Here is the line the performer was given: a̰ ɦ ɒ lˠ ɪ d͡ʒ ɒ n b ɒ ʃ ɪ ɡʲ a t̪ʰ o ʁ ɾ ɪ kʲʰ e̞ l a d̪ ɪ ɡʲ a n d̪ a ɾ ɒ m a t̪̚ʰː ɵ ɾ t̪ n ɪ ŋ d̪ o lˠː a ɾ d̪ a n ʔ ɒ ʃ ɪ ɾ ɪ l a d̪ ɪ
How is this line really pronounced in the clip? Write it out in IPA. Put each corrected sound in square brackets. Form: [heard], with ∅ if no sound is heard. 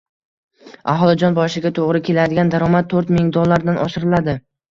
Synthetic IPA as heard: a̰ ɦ ɒ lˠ ɪ d͡ʒ ɒ n b ɒ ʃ ɪ ɡʲ a t̪ʰ o ʁ ɾ ɪ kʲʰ e̞ l a d̪ ɪ ɡʲ a n d̪ a ɾ ɒ m a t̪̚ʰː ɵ ɾ t̪ [m] ɪ ŋ d̪ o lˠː a ɾ d̪ a n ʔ ɒ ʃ ɪ ɾ ɪ l a d̪ ɪ